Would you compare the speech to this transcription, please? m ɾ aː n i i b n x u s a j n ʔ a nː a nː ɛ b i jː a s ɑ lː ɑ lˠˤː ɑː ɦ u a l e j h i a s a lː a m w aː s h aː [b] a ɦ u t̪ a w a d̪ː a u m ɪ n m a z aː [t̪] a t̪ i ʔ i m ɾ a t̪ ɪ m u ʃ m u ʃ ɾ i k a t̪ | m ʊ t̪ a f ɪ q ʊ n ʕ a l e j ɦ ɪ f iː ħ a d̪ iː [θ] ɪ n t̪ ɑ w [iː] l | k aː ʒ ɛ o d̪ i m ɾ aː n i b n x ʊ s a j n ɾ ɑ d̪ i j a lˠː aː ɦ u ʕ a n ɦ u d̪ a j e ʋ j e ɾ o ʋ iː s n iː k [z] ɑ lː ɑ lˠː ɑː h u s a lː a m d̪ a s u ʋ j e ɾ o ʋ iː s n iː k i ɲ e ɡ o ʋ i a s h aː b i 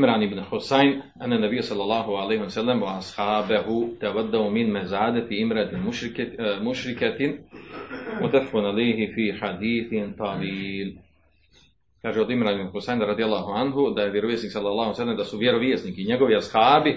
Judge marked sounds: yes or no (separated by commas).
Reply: yes, no, yes, yes, no